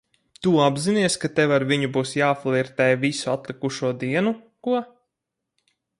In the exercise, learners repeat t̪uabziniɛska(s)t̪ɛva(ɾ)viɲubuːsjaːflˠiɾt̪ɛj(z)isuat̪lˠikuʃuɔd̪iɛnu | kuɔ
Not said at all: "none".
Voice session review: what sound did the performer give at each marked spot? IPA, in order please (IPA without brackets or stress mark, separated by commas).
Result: none, ɾ, v